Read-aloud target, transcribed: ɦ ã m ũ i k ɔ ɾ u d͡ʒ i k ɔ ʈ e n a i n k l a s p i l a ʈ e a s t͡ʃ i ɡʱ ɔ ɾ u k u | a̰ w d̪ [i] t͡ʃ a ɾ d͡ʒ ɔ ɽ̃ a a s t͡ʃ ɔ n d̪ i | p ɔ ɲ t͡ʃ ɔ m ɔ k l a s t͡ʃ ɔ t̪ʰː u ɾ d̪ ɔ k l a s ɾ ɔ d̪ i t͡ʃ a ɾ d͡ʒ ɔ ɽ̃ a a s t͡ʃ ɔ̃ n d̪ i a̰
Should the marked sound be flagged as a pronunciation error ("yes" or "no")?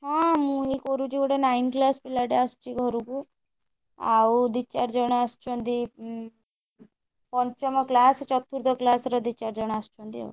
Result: no